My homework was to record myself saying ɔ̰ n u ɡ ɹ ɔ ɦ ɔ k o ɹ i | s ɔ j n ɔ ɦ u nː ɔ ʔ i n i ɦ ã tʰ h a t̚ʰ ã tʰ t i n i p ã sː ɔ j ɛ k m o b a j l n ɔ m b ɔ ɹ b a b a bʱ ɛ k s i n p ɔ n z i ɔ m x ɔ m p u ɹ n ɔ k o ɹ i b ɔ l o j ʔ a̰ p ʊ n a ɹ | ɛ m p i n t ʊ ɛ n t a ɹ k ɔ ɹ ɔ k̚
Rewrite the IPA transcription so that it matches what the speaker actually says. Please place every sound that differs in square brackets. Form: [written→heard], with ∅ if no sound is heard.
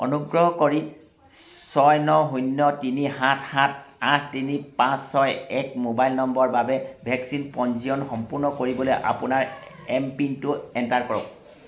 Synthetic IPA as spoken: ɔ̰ n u ɡ ɹ ɔ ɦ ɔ k o ɹ i | s ɔ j n ɔ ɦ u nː ɔ [ʔ→t] i n i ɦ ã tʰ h a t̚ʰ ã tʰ t i n i p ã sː ɔ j ɛ k m o b a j l n ɔ m b ɔ ɹ b a b [a→ɛ] bʱ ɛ k s i n p ɔ n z i ɔ [m→n] x ɔ m p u ɹ n ɔ k o ɹ i b ɔ l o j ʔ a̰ p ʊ n a ɹ | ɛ m p i n t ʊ ɛ n t a ɹ k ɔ ɹ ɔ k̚